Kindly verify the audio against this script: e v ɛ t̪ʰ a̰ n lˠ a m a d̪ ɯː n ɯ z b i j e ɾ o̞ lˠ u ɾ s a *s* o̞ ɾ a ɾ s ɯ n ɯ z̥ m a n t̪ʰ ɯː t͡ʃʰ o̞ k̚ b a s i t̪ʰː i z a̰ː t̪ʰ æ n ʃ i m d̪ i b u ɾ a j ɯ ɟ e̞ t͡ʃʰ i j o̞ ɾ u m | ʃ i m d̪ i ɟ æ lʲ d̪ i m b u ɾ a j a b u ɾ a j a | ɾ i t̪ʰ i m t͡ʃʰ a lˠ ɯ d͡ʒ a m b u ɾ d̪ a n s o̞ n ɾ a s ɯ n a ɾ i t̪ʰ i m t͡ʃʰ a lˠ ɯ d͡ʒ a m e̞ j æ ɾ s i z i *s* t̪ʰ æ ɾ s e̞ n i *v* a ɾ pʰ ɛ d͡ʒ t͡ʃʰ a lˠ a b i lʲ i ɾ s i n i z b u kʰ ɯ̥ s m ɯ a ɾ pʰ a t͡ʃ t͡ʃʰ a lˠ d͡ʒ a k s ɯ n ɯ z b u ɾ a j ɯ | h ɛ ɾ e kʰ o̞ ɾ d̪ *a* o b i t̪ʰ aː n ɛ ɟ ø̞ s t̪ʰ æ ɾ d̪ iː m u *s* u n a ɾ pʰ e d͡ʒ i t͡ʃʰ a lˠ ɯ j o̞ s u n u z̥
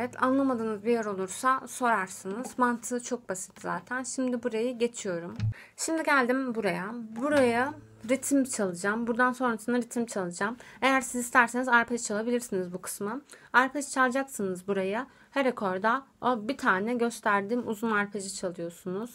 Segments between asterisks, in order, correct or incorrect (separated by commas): correct, correct, incorrect, correct, incorrect